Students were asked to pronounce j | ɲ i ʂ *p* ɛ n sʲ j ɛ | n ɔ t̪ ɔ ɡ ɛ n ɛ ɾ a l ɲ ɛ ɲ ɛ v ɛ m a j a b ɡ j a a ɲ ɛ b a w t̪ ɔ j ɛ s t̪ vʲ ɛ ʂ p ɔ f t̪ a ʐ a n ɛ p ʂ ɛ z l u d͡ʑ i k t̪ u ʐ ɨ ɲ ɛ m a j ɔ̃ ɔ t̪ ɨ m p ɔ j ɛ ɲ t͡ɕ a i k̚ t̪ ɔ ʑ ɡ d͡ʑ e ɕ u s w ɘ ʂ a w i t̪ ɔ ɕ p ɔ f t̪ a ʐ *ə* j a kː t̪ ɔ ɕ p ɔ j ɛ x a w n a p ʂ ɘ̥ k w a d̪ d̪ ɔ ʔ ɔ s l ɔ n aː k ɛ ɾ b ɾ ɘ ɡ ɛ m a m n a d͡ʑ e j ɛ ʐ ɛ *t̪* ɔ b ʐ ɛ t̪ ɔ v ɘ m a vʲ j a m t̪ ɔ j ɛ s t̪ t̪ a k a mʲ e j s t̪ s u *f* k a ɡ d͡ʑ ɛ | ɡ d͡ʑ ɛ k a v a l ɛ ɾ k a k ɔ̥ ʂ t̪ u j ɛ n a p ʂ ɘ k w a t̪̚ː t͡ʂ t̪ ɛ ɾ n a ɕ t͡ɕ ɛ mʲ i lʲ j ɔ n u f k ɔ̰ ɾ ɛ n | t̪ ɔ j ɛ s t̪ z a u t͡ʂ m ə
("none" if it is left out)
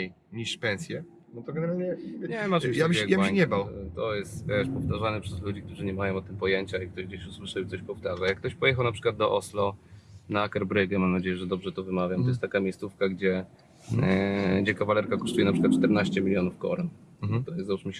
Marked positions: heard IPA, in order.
p, a, d̪, f

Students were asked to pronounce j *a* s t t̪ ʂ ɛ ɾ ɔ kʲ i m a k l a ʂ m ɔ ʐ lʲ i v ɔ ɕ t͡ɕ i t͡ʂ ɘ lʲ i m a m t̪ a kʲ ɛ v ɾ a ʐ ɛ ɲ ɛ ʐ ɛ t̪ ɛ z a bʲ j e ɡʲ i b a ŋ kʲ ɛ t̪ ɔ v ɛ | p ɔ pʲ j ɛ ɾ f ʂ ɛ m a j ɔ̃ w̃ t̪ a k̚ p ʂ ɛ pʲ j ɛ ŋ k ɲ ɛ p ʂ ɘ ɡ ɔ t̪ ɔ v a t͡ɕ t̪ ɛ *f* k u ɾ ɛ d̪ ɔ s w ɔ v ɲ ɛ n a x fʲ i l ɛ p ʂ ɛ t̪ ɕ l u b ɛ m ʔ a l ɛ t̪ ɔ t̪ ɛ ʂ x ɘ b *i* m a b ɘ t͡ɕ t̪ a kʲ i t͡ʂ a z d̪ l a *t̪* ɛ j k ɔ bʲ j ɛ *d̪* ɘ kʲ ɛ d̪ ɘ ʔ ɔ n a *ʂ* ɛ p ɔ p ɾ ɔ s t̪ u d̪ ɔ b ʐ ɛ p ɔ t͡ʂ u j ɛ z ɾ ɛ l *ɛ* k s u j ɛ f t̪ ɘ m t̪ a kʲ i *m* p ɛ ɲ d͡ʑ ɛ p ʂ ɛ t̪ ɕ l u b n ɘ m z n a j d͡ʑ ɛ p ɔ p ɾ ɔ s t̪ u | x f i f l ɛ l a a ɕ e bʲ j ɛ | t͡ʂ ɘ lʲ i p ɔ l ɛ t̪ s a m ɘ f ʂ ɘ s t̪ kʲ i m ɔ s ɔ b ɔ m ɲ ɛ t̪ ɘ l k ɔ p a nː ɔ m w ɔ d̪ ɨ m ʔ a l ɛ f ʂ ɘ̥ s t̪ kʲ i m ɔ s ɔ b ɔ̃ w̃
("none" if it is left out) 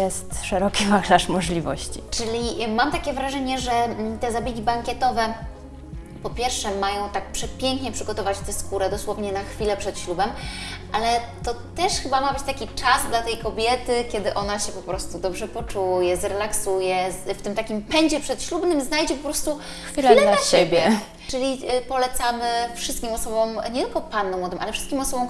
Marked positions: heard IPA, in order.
ɛ, s, a, t̪, t̪, ɕ, a, m

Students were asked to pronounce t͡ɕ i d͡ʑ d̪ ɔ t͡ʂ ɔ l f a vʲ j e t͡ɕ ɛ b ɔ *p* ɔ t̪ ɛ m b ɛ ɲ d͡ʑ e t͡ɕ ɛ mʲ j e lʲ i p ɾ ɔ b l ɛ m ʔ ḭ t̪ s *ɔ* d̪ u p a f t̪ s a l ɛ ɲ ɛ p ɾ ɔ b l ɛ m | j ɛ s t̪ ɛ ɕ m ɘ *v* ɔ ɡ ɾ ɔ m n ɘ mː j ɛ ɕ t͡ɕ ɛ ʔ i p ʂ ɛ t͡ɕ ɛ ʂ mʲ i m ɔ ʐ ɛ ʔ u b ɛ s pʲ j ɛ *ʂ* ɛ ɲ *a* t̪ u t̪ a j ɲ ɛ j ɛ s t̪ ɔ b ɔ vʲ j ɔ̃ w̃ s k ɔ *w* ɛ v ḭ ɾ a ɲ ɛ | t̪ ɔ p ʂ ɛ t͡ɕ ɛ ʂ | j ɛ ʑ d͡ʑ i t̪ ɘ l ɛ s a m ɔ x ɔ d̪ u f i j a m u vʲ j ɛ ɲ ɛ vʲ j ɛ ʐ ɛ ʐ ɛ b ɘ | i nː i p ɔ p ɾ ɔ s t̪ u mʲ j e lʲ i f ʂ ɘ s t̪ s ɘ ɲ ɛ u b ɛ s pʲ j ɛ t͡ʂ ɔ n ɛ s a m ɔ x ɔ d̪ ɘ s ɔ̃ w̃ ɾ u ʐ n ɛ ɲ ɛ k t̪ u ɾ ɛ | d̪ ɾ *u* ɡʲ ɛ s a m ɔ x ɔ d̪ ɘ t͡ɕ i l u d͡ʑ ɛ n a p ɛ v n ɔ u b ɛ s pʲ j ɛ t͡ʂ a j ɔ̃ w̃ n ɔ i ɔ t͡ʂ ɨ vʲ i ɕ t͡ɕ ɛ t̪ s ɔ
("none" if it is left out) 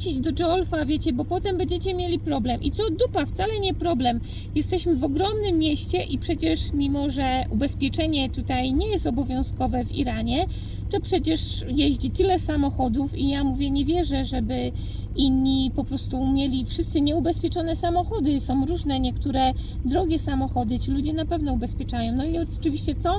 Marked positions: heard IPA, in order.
p, ɔ, v, t͡ʂ, ɛ, v, ɔ

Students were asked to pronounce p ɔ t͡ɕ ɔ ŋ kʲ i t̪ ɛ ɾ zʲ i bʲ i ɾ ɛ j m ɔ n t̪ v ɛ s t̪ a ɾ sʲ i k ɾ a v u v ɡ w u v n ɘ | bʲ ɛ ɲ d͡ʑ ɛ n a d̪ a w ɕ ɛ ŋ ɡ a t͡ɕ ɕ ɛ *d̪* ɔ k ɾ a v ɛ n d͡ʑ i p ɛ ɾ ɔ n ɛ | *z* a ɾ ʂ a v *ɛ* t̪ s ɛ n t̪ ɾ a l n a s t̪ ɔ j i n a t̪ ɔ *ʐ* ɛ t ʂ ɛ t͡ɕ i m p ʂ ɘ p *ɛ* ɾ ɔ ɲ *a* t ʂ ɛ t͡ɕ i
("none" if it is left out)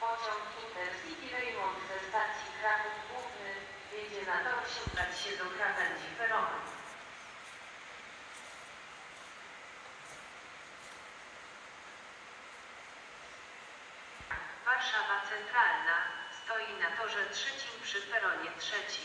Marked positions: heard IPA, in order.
d̪, v, a, ʐ, ɛ, ɛ

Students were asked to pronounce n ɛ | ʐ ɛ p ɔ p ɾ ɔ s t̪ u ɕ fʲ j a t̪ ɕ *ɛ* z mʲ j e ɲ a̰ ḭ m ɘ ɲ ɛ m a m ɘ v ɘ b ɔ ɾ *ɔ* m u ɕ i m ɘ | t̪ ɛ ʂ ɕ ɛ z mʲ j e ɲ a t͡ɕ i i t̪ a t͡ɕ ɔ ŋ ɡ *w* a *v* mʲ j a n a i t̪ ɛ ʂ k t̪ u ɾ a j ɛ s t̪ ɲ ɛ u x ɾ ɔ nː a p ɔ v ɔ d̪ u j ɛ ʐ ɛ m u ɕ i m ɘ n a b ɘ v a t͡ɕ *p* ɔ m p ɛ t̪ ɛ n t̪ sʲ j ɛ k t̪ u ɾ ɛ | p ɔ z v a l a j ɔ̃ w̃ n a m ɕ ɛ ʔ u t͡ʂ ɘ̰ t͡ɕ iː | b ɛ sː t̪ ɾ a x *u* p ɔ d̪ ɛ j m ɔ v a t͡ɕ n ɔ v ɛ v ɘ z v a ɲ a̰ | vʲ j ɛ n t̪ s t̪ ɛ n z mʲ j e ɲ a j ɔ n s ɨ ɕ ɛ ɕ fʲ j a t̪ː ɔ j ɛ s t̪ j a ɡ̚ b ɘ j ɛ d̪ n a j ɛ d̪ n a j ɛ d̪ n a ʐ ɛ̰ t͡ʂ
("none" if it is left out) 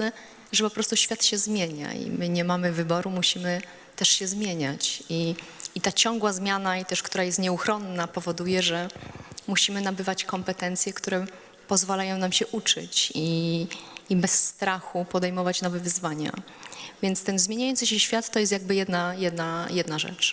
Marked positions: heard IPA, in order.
ɛ, u, w, z, k, u

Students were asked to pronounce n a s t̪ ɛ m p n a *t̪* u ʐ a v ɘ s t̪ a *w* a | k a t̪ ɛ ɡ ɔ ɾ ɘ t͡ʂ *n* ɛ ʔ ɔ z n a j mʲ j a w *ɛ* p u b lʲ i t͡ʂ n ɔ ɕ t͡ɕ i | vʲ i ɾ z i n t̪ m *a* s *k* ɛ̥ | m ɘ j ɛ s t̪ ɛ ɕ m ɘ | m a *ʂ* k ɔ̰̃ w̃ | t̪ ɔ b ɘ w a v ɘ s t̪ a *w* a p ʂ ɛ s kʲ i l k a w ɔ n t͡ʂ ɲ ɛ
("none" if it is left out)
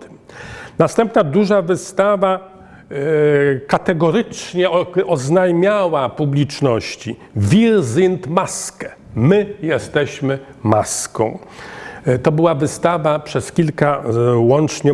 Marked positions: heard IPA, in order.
d̪, v, ɲ, a, a, k, s, v

